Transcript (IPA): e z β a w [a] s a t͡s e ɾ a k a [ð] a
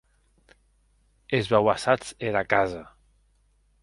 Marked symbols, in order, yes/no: yes, no

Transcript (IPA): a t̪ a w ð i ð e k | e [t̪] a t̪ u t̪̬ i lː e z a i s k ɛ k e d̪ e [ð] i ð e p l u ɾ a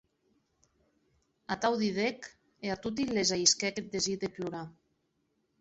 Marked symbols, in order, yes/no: no, no

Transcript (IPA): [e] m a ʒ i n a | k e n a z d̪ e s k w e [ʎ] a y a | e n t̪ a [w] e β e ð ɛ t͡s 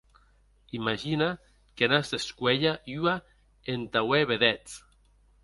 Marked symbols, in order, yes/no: no, yes, yes

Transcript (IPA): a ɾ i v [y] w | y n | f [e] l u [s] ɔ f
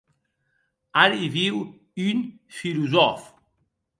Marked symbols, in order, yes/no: no, no, no

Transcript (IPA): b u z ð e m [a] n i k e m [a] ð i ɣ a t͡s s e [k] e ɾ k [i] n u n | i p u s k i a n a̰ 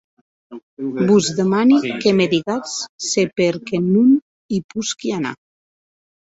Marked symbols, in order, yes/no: yes, no, no, no

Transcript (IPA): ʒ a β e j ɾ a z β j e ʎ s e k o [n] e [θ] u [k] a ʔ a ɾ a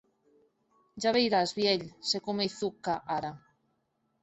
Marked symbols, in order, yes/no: no, yes, yes

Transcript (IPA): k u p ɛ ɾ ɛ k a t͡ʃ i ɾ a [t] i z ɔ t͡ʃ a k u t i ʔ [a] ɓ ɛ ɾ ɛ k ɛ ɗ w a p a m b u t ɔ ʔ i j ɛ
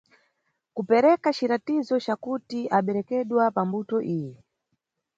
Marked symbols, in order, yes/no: yes, yes

